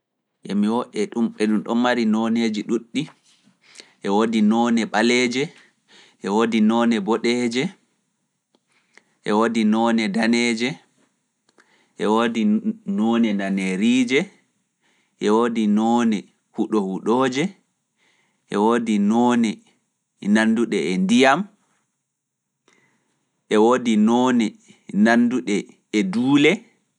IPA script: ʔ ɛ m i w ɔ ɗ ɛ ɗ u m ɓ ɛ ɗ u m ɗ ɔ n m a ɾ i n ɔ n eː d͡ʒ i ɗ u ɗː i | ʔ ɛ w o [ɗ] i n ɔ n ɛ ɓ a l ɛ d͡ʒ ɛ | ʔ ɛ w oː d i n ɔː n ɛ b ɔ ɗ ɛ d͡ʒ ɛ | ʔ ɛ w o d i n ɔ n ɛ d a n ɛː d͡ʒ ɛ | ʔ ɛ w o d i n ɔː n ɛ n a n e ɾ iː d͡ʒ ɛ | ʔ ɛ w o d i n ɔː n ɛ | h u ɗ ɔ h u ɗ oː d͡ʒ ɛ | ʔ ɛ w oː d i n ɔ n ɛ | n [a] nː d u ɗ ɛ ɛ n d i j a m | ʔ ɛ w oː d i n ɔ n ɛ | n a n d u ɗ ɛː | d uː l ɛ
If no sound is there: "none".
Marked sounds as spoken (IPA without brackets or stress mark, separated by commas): d, a